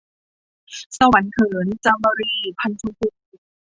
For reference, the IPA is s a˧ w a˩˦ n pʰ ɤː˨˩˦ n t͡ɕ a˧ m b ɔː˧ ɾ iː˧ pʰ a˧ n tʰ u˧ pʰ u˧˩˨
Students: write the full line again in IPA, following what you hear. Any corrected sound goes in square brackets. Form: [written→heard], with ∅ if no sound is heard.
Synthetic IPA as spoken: s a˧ w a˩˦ n [pʰ→kʰ] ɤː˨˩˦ n t͡ɕ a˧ m b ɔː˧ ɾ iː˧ pʰ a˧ n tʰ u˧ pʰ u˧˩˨